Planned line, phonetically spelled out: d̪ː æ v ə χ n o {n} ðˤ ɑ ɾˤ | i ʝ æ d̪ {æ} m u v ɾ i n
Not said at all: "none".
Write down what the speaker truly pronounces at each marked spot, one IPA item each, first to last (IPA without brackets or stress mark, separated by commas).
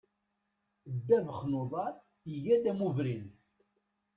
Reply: none, æ